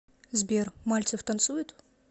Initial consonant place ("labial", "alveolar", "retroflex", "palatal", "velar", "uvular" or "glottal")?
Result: alveolar